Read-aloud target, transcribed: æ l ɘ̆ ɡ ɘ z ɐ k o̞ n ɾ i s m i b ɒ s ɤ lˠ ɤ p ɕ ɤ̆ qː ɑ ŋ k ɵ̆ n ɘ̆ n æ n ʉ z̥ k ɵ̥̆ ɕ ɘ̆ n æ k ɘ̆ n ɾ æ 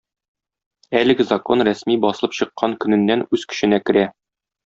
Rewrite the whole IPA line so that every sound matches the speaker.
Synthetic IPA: æ l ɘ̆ ɡ ɘ z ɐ k o̞ n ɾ æ s m i b ɒ s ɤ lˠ ɤ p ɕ ɤ̆ qː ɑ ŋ k ɵ̆ n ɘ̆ nː æ n ʉ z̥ k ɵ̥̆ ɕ ɘ̆ n æ k ɘ̆ ɾ æ

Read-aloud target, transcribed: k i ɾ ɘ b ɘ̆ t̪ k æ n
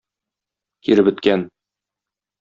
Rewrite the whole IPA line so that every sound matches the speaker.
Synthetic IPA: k i ɾ ɘ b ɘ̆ t̪ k æ n

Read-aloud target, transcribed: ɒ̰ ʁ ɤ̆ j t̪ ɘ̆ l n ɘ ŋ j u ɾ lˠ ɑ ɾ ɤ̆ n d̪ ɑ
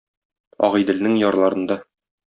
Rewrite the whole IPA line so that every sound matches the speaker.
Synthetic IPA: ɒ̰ ʁ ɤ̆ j d̪ ɘ̆ l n ɘ ŋ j ɒ ɾ lˠ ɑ ɾ ɤ̆ n d̪ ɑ

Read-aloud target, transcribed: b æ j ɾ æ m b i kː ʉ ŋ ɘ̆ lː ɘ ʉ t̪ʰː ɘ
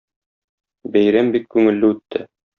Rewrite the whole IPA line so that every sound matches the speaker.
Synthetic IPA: b æ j ɾ æ m b i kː ʉ ŋ ɘ̆ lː ɘ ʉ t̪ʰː ɘ

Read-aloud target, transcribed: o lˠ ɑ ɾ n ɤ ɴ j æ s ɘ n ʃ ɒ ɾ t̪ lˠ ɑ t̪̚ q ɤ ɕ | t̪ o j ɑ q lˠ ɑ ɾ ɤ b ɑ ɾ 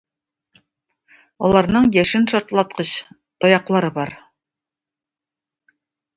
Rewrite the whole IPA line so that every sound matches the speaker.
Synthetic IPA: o lˠ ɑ ɾ n ɤ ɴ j æ ʃ ɘ n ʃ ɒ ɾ t̪ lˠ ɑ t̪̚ q ɤ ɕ | t̪ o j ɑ q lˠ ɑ ɾ ɤ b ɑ ɾ

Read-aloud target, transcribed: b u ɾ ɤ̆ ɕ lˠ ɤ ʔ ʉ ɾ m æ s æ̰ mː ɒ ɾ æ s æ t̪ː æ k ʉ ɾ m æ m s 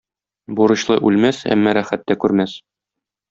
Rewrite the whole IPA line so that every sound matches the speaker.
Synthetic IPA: b u ɾ ɤ̆ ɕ lˠ ɤ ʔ ʉ l m æ s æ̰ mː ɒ ɾ æ χ æ t̪ː æ k ʉ ɾ m æ s

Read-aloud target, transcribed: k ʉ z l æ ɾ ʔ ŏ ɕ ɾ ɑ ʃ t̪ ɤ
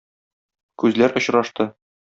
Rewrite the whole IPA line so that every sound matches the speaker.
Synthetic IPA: k ʉ z l æ ɾ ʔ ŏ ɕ ɾ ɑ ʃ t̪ ɤ

